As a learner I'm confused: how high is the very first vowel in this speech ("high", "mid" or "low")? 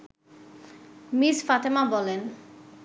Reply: high